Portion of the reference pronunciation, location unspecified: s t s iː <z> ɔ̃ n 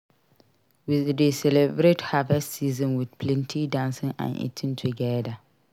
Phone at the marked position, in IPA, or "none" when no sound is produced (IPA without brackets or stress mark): z